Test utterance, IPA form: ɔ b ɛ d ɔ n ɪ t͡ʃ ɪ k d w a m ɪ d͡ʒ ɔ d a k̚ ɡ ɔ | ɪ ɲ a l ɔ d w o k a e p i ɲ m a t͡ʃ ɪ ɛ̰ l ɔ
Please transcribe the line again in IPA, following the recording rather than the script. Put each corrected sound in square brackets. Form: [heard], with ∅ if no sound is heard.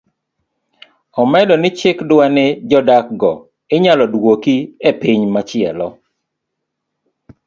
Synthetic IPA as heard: ɔ [m] ɛ d ɔ n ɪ t͡ʃ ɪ k d w a [n] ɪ d͡ʒ ɔ d a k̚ ɡ ɔ | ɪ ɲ a l ɔ d w o k [i] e p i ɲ m a t͡ʃ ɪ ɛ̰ l ɔ